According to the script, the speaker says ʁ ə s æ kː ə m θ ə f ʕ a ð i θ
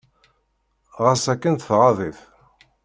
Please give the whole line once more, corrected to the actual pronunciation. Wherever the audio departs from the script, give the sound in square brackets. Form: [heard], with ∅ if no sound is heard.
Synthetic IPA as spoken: ʁ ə s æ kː ə [n] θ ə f [ʁ] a ð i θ